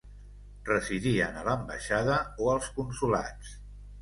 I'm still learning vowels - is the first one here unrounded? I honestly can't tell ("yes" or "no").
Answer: yes